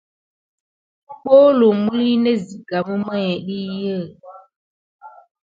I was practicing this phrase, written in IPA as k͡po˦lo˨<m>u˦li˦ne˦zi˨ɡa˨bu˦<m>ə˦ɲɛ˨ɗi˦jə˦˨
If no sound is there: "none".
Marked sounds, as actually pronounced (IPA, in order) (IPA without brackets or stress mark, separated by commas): m, m